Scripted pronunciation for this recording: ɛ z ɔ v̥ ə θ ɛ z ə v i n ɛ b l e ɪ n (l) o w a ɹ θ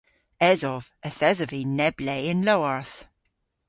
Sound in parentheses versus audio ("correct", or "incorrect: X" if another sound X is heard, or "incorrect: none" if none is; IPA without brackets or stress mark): correct